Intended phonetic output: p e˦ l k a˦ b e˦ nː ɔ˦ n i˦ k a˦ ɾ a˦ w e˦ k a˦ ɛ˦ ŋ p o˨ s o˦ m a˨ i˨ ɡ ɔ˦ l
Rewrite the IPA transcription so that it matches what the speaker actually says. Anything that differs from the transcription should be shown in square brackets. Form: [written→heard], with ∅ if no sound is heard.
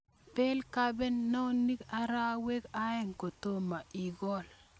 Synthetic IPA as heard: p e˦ l k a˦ b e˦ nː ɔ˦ n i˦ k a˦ ɾ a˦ w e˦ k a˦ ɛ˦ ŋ [p→k] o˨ [s→t] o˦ m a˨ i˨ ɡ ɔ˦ l